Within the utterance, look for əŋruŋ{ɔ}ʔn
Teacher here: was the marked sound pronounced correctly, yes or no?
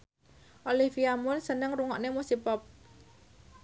yes